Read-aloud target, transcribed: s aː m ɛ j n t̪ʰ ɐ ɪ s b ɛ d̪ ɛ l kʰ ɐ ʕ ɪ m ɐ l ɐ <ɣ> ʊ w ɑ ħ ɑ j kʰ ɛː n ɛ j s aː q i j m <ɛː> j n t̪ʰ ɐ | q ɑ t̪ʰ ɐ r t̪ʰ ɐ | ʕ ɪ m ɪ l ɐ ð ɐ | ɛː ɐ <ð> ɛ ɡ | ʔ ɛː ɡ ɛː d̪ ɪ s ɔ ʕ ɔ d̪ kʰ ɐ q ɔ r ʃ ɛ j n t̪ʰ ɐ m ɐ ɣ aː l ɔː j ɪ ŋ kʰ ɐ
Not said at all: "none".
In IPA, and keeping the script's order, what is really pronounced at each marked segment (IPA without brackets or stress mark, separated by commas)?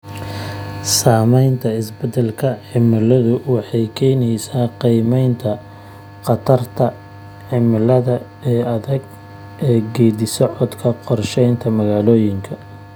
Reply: ð, ɛ, ð